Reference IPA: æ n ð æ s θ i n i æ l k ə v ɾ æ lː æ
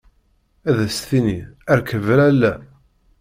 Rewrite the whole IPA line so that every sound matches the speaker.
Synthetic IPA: æ ð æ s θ i n i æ ɾ k ə v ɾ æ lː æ